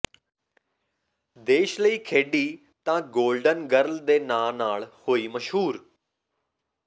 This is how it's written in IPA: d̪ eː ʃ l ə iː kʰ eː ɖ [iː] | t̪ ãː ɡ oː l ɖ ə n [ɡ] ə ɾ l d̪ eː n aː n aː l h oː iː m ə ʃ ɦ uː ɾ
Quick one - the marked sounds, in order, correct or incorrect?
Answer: correct, correct

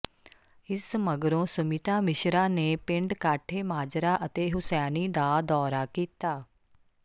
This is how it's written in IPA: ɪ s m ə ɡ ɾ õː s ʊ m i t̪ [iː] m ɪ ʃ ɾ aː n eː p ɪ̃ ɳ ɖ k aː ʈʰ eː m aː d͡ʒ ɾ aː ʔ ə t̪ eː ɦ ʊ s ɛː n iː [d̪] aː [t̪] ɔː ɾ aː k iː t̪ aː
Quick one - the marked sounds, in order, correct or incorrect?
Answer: incorrect, correct, incorrect

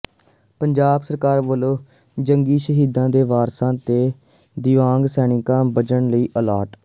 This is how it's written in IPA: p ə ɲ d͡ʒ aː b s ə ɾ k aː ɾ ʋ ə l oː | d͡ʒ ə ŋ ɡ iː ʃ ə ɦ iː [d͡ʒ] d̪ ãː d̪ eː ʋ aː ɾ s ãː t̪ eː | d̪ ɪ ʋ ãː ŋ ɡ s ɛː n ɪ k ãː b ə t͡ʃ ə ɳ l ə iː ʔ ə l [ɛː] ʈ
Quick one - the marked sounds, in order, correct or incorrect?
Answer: incorrect, incorrect

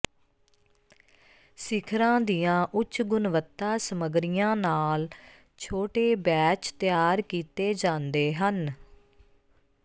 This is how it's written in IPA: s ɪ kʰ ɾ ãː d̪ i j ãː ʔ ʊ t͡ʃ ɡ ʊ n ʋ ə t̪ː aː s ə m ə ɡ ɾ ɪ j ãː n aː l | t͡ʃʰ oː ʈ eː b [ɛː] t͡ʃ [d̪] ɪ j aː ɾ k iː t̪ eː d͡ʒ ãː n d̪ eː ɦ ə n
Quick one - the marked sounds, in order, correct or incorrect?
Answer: correct, incorrect

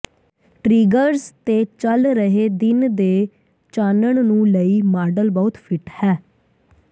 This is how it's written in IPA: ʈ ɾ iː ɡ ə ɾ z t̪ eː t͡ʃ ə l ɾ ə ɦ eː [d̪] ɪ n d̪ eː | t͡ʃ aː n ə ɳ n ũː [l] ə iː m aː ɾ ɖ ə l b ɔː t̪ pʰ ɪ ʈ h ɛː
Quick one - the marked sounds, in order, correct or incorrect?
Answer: correct, correct

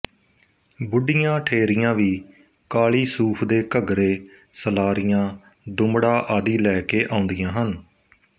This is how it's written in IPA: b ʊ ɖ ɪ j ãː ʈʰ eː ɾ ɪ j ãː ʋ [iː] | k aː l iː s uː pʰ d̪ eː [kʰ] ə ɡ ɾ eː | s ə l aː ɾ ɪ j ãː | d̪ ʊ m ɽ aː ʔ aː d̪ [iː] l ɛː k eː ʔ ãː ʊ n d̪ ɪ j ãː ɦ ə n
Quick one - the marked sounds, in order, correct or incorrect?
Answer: correct, incorrect, correct

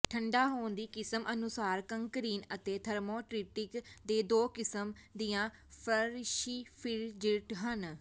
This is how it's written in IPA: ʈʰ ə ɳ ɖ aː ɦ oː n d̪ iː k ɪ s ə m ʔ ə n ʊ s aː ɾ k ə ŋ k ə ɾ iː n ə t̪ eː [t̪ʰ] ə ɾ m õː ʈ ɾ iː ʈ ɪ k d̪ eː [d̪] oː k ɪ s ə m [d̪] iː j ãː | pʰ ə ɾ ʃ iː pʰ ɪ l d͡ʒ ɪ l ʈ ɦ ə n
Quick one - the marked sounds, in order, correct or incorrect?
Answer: correct, correct, correct

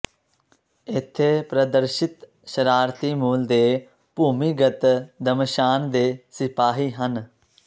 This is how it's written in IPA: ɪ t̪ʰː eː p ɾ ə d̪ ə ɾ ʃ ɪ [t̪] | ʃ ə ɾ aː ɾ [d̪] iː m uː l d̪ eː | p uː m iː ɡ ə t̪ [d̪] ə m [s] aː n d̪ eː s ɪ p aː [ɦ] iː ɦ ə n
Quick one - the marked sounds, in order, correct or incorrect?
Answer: correct, incorrect, correct, incorrect, correct

